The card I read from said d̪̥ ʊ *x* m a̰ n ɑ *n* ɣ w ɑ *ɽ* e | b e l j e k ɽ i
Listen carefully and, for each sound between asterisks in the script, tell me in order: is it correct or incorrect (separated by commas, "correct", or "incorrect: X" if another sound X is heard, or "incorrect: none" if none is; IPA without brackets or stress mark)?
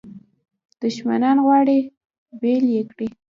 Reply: incorrect: ʃ, correct, correct